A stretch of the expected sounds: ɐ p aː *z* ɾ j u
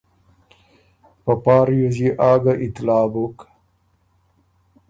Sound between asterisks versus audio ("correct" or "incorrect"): incorrect